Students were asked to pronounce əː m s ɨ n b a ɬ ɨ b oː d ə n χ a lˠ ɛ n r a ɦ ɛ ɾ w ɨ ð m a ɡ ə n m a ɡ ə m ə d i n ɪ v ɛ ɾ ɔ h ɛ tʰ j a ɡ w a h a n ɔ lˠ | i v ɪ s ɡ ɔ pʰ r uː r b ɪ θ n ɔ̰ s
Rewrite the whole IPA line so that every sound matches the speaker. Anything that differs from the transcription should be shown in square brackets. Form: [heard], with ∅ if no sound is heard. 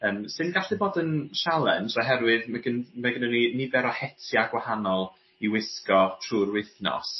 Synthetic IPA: əː m s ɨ n [ɡ] a ɬ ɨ b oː d ə n [ʃ] a lˠ ɛ n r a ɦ ɛ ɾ w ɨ ð m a ɡ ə n m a ɡ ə [n] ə [n] i n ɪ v ɛ ɾ ɔ h ɛ tʰ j a ɡ w a h a n ɔ lˠ | i [w] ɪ s [k] ɔ [tʰ] r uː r [w] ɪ θ n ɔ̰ s